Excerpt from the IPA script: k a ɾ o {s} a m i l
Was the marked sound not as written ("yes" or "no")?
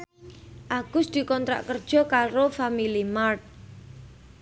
yes